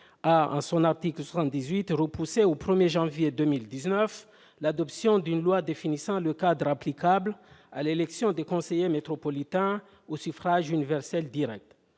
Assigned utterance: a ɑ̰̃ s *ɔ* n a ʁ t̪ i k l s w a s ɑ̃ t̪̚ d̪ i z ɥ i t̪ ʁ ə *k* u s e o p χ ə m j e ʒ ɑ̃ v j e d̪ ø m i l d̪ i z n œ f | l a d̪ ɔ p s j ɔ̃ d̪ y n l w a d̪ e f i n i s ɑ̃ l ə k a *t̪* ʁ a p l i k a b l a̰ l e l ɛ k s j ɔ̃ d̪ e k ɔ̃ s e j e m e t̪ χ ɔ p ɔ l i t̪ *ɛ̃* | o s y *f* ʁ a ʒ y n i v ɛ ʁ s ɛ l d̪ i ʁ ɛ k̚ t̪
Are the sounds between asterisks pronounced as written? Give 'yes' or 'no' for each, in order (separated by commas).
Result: no, no, no, yes, yes